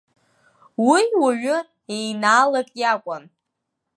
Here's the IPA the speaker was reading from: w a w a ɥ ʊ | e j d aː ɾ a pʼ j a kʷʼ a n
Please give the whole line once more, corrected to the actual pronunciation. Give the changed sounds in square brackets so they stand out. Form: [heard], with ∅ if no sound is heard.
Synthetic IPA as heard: w [i] w a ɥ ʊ | e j [n] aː [l] a [kʼ] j a kʷʼ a n